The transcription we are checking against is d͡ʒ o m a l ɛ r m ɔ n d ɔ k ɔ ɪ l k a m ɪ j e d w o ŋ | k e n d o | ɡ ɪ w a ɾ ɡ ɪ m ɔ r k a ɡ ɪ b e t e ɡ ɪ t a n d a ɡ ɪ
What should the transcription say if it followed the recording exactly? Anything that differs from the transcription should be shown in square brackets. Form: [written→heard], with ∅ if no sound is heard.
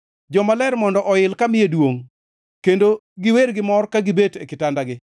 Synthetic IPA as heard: d͡ʒ [o→ɔ] m a l ɛ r m ɔ n d ɔ [k→ʔ] ɔ ɪ l k a m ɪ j e d w o ŋ | k e n d o | ɡ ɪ w [a→e] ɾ ɡ ɪ m ɔ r k a ɡ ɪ b e t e [ɡ→k] ɪ t a n d a ɡ ɪ